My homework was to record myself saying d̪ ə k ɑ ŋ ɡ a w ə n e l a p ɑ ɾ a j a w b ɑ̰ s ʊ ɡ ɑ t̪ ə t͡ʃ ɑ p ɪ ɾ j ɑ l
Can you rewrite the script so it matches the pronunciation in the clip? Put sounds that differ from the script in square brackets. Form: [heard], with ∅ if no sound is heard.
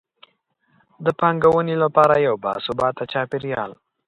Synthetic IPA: d̪ ə [p] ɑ ŋ ɡ a w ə n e l a p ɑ ɾ a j a w b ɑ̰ s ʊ [b] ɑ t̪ [a] t͡ʃ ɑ p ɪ ɾ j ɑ l